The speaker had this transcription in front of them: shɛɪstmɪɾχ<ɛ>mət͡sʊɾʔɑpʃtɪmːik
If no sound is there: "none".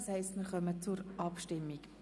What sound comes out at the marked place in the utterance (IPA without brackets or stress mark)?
œ